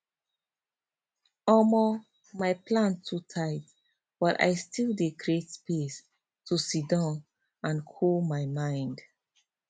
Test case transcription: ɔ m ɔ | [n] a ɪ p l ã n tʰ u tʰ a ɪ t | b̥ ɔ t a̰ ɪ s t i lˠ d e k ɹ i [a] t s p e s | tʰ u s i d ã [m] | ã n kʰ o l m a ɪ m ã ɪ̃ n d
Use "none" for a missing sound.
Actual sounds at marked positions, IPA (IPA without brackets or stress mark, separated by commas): m, e, n